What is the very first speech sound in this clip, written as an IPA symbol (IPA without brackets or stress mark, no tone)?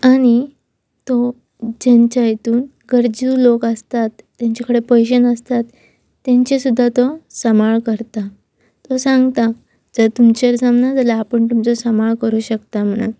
a